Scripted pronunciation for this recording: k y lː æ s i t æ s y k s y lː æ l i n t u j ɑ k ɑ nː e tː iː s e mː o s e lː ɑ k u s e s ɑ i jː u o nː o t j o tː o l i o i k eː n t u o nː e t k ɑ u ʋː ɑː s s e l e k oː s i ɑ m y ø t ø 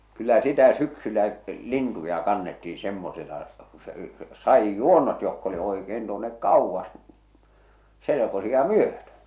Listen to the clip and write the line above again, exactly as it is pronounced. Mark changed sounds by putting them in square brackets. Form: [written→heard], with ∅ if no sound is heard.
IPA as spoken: k y lː æ s i t æ s y k s y lː æ l i n t u j ɑ k ɑ nː e tː iː s e mː o s e [lː→l] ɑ k u s e s ɑ i jː u o nː o t j o [tː→kː] o l i o i k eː n t u o nː e [t→k] k ɑ u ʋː [ɑː→ɑ] s s e l e k [oː→o] s i ɑ m y ø t ø